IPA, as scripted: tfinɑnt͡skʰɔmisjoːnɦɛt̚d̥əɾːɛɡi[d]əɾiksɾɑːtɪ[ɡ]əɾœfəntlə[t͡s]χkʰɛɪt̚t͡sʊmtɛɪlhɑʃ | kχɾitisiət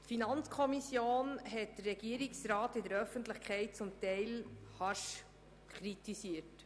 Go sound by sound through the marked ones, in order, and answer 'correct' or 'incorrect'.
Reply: incorrect: none, incorrect: d, incorrect: none

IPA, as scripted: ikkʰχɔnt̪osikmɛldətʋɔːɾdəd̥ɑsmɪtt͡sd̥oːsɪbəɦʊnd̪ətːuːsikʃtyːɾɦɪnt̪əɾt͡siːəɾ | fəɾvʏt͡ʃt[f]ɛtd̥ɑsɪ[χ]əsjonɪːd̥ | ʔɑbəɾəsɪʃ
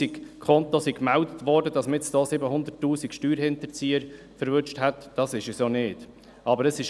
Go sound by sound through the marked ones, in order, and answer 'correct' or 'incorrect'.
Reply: incorrect: h, incorrect: ʃ

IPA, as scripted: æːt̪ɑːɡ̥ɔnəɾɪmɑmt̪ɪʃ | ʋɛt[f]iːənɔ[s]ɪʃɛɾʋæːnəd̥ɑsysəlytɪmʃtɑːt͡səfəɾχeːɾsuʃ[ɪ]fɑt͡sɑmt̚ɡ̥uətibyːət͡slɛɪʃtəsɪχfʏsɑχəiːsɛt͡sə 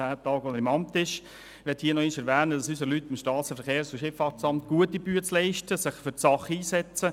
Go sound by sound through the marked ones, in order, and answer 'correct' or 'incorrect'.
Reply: incorrect: h, incorrect: none, correct

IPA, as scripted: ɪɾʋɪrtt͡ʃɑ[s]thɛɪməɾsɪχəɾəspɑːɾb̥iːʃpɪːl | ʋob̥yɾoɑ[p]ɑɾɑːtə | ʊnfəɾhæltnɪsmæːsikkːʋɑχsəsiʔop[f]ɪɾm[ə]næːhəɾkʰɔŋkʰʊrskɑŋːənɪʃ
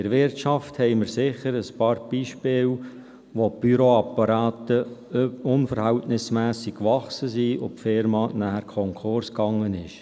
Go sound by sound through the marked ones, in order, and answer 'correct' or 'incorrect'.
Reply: incorrect: f, correct, correct, incorrect: ɑ

